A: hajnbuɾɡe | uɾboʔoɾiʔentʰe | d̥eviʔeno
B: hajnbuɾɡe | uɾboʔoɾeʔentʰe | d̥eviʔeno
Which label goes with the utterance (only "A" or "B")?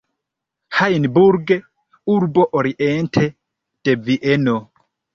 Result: A